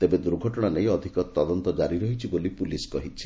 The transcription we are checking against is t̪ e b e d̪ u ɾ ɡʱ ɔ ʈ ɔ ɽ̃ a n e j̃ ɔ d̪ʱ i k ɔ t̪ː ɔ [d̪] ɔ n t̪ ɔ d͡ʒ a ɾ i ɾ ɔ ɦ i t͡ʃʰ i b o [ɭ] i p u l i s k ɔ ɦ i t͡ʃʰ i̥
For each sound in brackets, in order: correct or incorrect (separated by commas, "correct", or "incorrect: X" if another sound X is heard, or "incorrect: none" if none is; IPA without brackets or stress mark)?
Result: correct, incorrect: l